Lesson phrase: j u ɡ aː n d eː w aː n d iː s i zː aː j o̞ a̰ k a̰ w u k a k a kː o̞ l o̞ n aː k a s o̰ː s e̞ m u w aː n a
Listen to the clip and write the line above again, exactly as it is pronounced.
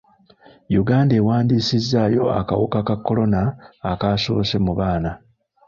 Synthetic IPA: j u ɡ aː n d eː w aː n d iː s i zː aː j o̞ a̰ k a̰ w u k a k a kː o̞ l o̞ n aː k a s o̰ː s e̞ m u β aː n a